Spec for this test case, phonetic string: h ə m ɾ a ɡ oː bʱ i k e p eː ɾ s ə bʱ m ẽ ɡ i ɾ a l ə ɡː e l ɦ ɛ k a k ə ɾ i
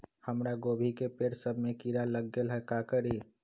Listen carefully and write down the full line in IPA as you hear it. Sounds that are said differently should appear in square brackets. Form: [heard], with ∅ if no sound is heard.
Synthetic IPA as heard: h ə m ɾ a ɡ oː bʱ i k e p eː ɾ s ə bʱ m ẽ [k] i ɾ a l ə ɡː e l ɦ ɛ k a k ə ɾ i